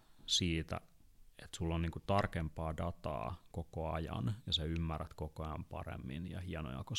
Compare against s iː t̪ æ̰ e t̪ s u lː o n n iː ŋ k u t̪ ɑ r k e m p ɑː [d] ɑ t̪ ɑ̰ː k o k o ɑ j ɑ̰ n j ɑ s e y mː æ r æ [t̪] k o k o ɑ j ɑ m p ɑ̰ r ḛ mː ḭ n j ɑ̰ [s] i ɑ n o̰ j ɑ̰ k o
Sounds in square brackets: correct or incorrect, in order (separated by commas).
correct, correct, incorrect